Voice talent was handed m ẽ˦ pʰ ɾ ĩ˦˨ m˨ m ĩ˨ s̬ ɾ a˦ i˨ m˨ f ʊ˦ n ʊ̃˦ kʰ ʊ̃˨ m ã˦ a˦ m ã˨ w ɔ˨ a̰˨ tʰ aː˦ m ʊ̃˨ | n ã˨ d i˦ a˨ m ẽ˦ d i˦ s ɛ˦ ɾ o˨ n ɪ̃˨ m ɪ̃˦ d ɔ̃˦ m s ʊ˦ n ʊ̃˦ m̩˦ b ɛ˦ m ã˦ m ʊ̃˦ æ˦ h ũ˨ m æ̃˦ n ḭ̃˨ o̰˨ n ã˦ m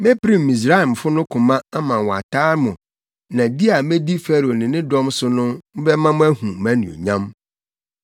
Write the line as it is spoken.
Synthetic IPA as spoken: m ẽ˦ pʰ ɾ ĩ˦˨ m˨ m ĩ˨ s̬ ɾ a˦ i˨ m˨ f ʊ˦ n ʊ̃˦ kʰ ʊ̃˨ m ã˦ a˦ m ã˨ w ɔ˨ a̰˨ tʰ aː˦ m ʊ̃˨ | n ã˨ d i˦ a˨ m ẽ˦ d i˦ f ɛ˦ ɾ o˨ n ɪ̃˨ n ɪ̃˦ d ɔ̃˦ m s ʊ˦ n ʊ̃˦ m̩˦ b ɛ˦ m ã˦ m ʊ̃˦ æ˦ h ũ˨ m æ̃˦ n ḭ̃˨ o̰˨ ɲ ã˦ m